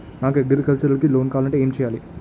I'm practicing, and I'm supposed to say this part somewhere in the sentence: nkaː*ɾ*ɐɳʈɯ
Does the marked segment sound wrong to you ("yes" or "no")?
yes